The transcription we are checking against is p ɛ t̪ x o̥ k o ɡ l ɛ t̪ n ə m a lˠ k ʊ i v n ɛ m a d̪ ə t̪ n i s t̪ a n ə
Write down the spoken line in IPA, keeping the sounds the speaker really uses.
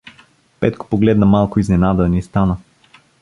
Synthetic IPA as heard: p ɛ t̪ k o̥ p o ɡ l ɛ d̪ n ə m a lˠ k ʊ i z n ɛ n a d̪ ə n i s t̪ a n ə

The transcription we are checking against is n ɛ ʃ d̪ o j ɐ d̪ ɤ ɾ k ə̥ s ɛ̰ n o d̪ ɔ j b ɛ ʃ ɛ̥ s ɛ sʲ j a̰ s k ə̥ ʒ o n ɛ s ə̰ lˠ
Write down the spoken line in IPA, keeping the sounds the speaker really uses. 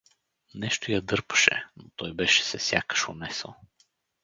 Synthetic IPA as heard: n ɛ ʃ t̪ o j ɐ d̪ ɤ ɾ p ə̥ ʃ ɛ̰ n o t̪ ɔ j b ɛ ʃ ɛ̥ s ɛ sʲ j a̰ k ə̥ ʃ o n ɛ s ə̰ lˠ

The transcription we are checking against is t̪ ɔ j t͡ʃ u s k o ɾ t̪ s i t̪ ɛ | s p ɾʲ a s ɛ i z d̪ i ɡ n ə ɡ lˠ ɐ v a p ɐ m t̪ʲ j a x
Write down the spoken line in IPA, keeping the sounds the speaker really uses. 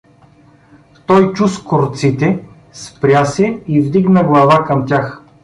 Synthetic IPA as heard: t̪ ɔ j t͡ʃ u s k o ɾ t̪ s i t̪ ɛ | s p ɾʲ a s ɛ i v d̪ i ɡ n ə ɡ lˠ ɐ v a k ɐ m t̪ʲ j a x

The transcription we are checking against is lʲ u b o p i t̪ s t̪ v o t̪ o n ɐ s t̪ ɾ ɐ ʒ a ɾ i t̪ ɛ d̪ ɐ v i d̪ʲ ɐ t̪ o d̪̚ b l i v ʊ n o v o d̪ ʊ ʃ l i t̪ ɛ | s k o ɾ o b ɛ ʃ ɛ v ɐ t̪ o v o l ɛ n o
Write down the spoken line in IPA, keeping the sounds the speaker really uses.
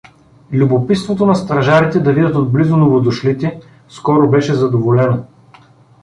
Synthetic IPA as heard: lʲ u b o p i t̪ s t̪ v o t̪ o n ɐ s t̪ ɾ ɐ ʒ a ɾ i t̪ ɛ d̪ ɐ v i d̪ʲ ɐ t̪ o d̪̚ b l i z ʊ n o v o d̪ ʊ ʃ l i t̪ ɛ | s k ɔ ɾ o b ɛ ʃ ɛ z ɐ d̪ o v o l ɛ n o

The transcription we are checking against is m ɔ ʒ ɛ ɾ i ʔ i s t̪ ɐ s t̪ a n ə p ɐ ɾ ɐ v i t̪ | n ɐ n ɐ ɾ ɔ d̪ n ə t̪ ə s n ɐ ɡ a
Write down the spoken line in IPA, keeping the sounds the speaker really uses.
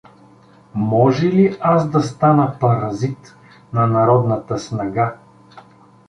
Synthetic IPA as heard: m ɔ ʒ ɛ l i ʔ a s d̪ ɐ s t̪ a n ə p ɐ ɾ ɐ z i t̪ | n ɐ n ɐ ɾ ɔ d̪ n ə t̪ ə s n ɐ ɡ a

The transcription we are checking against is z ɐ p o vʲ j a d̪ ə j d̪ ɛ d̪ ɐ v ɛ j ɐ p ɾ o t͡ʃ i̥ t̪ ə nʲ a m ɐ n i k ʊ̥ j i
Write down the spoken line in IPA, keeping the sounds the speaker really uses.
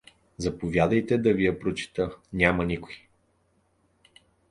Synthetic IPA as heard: z ɐ p o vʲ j a d̪ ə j t̪ ɛ d̪ ɐ v i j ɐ p ɾ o t͡ʃ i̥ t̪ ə nʲ a m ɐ n i k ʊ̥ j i

